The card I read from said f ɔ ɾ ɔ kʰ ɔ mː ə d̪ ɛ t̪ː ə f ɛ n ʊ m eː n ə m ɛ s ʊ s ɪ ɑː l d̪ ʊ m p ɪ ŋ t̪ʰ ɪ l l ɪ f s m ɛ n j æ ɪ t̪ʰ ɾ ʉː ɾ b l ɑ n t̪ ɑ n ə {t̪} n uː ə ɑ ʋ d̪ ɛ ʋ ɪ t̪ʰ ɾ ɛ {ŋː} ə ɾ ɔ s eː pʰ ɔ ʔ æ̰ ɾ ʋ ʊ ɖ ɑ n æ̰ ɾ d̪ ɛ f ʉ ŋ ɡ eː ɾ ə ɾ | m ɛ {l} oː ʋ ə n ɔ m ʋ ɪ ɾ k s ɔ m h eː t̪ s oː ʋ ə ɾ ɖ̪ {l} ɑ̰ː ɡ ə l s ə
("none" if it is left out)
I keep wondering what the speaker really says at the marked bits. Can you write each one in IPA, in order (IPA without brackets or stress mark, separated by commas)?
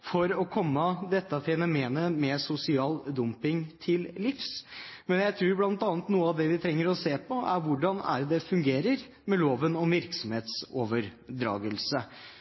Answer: t̪, ŋː, l, ɾ